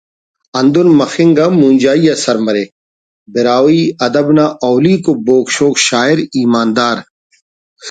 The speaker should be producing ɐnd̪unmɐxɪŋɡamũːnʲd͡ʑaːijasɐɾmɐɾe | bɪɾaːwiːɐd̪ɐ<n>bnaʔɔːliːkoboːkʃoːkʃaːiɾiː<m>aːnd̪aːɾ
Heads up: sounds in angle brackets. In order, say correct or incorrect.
incorrect, correct

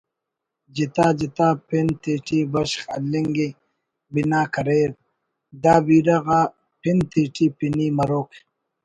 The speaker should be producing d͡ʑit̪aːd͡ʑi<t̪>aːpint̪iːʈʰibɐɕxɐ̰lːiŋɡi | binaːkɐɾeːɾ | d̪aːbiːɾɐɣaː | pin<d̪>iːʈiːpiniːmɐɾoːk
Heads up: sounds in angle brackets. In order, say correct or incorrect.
correct, incorrect

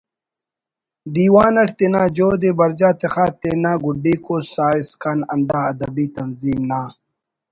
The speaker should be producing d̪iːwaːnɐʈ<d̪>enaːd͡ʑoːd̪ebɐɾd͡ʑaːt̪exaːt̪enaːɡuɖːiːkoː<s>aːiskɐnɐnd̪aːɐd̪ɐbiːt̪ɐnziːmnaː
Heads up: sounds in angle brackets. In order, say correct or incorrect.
incorrect, correct

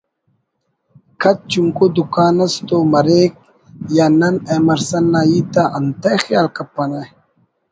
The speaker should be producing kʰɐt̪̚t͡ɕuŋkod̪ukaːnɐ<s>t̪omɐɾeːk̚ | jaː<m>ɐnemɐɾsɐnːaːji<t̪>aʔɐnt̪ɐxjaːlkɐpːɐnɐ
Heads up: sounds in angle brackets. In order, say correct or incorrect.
correct, incorrect, correct

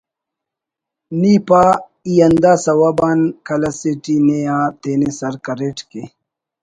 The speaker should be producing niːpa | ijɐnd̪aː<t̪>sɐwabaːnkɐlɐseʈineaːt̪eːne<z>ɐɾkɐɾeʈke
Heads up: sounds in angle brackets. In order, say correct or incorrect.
incorrect, incorrect

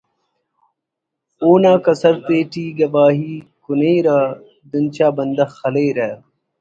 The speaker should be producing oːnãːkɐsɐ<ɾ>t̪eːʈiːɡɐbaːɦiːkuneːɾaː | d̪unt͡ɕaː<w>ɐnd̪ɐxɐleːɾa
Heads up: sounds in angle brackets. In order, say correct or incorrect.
correct, incorrect

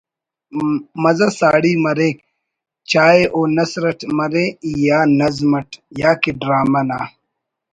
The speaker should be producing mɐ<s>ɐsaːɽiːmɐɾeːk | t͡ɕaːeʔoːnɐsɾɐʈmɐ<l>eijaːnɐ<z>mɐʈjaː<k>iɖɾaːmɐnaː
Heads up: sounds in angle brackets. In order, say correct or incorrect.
incorrect, incorrect, correct, correct

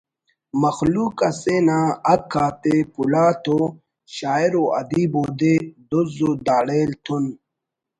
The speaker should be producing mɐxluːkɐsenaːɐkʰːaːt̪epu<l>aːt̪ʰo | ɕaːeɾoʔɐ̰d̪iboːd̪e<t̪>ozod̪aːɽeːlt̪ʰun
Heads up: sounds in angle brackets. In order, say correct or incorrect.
correct, incorrect

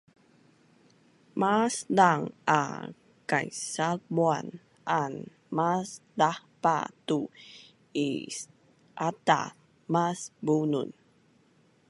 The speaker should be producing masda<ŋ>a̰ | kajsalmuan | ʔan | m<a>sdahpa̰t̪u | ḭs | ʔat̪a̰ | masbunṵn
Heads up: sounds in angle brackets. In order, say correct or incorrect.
correct, correct

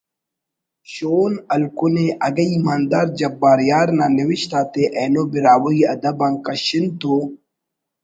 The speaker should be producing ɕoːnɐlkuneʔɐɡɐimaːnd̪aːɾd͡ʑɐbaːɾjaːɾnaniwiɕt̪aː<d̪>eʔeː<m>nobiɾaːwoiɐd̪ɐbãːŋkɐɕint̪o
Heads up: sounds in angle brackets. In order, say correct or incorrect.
incorrect, incorrect

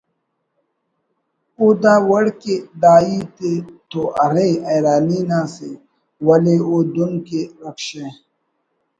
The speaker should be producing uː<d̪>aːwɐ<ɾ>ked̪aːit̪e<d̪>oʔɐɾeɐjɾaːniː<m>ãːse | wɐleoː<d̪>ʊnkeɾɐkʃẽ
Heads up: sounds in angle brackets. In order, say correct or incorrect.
correct, incorrect, incorrect, incorrect, correct

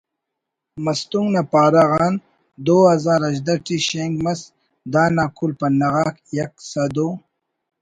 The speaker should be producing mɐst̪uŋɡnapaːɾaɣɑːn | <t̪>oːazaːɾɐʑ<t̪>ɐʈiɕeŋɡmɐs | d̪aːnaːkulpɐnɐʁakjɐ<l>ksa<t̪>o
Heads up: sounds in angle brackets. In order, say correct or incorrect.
incorrect, incorrect, incorrect, incorrect

